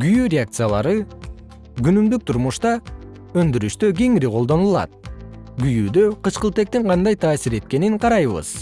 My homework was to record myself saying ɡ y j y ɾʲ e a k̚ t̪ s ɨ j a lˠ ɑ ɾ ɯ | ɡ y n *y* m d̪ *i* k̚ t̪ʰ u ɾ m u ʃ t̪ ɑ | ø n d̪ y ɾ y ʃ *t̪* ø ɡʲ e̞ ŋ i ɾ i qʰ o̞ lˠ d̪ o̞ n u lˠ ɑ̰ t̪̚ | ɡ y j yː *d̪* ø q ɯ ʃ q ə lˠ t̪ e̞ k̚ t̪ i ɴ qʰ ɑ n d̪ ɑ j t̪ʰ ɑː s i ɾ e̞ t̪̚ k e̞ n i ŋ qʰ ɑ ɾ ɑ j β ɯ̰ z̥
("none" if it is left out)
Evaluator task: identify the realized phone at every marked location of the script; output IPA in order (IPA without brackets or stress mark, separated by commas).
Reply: y, y, t̪, d̪